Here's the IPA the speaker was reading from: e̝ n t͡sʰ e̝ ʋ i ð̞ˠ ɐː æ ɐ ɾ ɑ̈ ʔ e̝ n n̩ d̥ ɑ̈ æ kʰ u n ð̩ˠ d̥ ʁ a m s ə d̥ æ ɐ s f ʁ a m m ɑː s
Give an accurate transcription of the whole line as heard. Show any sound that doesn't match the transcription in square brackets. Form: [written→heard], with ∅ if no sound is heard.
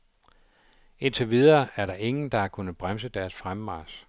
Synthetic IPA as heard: e̝ n t͡sʰ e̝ ʋ i ð̞ˠ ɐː æ ɐ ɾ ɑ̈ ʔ e̝ [n→ŋ] n̩ d̥ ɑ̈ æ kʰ u n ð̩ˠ [d̥→b̥] ʁ a m s ə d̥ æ ɐ s f ʁ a m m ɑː s